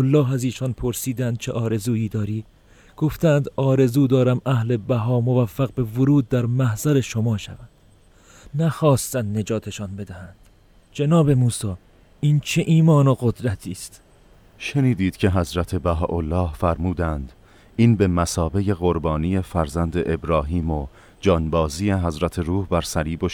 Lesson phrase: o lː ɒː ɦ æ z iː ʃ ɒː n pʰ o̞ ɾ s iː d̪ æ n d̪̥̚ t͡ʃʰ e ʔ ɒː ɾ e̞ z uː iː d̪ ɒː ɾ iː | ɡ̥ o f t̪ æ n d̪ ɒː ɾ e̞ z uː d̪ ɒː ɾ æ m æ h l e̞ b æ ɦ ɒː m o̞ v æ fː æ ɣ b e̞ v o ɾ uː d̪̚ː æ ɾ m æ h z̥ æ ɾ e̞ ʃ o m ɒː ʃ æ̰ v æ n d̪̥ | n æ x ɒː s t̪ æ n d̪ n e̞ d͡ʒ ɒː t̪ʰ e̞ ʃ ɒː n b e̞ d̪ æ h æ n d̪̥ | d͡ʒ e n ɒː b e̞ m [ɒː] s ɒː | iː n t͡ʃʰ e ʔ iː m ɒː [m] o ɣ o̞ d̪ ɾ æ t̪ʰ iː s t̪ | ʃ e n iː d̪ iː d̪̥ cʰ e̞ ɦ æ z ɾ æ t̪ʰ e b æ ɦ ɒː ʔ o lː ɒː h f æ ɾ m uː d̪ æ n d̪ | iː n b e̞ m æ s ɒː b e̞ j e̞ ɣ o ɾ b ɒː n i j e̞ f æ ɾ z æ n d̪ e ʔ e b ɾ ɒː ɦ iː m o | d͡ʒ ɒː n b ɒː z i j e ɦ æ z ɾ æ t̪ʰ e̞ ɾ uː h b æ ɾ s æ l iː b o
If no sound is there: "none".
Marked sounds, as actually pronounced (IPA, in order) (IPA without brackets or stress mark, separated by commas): uː, n